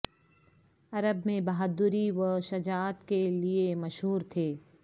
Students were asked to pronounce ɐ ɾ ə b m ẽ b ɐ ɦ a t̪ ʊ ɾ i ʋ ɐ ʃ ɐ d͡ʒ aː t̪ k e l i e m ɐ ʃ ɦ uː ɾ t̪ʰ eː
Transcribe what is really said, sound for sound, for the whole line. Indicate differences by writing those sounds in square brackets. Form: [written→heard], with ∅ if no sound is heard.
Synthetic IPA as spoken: ɐ ɾ ə b m ẽ b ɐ ɦ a [t̪→d̪] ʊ ɾ i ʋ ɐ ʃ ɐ d͡ʒ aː t̪ k e l i e m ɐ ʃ ɦ uː ɾ t̪ʰ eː